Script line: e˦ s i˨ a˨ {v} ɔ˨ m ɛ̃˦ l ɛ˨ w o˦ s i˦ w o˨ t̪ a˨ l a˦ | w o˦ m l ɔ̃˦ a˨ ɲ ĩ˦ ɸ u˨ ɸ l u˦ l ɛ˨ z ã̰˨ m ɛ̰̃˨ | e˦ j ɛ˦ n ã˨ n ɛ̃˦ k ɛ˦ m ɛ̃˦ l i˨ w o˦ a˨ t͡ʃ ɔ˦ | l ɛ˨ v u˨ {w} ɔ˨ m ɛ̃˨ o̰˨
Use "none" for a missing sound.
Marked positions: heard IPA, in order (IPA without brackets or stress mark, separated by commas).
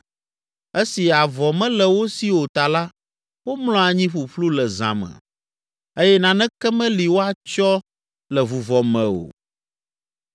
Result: v, v